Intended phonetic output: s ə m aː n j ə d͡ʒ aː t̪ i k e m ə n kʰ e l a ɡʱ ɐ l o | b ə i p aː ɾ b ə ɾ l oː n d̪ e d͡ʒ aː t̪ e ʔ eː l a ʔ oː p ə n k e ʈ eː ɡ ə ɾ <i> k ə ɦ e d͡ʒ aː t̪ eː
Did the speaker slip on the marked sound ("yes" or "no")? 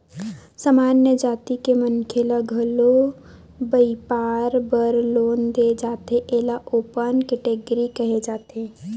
no